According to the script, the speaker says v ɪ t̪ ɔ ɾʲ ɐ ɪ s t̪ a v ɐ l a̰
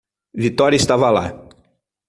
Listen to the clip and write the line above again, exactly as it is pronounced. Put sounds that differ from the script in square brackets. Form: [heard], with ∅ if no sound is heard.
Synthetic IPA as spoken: v [i] t̪ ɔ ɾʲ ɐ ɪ s t̪ a v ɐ l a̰